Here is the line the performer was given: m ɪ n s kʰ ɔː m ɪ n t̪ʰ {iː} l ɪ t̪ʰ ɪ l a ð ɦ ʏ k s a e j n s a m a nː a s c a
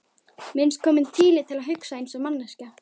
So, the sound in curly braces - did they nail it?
yes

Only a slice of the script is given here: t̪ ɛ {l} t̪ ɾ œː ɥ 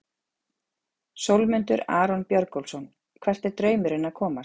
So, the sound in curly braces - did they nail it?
no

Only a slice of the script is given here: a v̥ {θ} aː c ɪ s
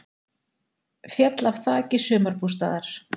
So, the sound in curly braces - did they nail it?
yes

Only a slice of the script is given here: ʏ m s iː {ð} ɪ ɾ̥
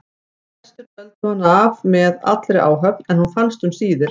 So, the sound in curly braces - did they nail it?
yes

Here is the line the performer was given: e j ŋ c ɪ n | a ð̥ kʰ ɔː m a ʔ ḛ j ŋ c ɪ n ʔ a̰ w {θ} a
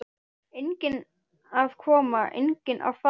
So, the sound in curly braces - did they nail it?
no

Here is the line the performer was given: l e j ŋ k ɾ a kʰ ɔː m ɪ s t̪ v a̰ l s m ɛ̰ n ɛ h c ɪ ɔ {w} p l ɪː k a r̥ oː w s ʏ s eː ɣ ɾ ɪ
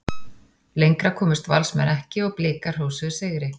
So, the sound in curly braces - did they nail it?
no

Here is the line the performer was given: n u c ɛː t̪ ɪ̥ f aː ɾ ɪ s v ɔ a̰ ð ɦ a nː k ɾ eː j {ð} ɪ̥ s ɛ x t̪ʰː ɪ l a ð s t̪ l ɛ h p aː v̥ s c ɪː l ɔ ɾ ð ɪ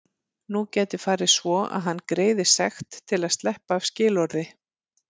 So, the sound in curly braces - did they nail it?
yes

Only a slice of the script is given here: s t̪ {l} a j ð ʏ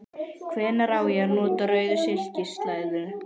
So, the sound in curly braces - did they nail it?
yes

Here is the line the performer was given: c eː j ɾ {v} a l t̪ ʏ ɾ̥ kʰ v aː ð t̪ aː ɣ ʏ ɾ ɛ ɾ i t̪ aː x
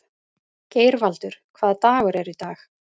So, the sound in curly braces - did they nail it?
yes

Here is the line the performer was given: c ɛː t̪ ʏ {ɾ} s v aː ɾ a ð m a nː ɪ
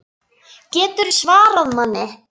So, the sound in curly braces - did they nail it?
yes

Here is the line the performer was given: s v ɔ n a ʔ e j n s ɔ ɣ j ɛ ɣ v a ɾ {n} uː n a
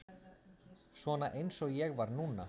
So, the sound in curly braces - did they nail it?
yes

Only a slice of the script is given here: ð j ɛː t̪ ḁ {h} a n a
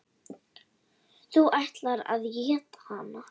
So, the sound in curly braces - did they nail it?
yes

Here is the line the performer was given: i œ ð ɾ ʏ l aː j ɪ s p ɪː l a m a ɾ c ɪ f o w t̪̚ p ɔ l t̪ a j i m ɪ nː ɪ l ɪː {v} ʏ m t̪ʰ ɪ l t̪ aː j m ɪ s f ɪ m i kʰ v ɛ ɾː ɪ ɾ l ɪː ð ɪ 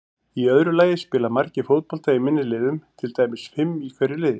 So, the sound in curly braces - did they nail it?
no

